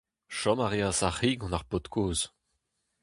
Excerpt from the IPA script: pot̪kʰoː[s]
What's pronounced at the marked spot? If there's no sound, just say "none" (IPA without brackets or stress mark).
z